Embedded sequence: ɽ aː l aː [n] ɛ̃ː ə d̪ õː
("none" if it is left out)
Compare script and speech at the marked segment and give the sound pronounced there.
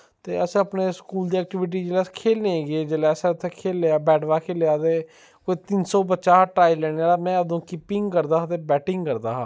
m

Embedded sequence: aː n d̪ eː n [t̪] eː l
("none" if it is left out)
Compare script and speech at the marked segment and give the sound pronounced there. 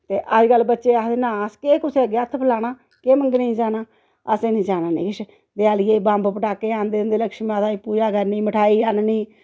d̪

